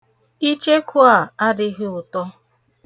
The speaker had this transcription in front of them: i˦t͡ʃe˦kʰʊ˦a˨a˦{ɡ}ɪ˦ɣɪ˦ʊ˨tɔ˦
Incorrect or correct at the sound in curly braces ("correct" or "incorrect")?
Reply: incorrect